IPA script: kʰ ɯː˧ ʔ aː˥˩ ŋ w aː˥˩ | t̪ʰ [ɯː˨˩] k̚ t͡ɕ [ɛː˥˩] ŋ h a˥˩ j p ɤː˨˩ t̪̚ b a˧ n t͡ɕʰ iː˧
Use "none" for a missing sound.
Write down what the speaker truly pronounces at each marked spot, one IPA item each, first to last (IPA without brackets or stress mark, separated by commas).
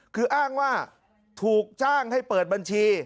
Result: uː˨˩, aː˥˩